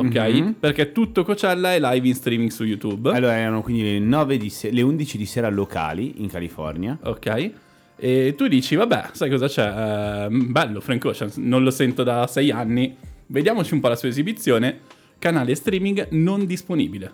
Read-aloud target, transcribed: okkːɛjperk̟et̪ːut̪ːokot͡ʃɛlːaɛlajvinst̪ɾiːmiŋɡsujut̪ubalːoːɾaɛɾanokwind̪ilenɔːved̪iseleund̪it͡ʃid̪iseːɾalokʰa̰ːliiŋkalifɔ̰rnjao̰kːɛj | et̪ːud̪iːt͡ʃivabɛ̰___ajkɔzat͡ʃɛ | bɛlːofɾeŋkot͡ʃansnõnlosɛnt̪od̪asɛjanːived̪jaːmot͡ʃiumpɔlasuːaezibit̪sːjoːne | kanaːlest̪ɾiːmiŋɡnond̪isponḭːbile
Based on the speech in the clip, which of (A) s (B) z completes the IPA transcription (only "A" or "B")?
A